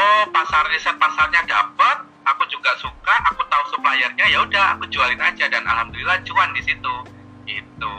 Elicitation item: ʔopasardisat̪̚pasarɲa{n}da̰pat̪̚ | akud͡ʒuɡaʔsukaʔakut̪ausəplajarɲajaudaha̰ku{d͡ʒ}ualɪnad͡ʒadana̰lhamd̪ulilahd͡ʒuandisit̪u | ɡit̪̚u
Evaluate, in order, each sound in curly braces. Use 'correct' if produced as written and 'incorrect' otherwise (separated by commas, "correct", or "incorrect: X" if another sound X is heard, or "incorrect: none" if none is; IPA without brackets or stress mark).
incorrect: none, correct